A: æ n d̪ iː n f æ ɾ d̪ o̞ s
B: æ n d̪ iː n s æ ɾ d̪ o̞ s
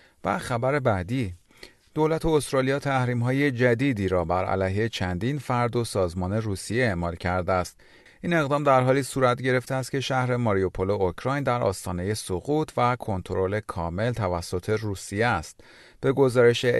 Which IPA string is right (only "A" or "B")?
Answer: A